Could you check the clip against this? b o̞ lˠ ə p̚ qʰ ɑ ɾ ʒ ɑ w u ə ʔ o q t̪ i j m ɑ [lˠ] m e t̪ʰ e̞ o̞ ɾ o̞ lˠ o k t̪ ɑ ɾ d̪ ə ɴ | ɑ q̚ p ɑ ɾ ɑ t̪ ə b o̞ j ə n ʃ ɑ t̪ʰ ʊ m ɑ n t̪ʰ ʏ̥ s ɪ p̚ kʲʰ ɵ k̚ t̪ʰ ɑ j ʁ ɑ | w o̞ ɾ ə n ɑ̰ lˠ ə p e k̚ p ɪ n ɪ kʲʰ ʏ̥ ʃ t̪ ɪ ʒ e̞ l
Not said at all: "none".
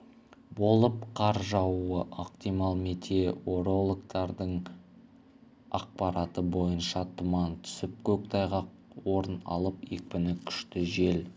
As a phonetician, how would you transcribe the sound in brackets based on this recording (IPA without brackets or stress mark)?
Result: lˠ